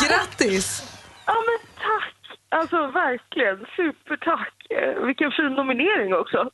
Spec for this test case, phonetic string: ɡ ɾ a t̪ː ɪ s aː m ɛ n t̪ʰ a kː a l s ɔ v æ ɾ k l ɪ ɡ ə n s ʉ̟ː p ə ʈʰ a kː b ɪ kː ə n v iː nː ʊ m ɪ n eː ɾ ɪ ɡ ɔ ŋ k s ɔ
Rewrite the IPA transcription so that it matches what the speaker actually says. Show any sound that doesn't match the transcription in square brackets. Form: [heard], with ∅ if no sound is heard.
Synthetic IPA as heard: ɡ ɾ a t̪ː ɪ s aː m ɛ n t̪ʰ a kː a l s ɔ v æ ɾ k l ɪ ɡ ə n s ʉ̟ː p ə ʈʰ a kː [v] ɪ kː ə n [f] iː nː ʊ m ɪ n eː ɾ ɪ [ŋ] ɔ [∅] k s ɔ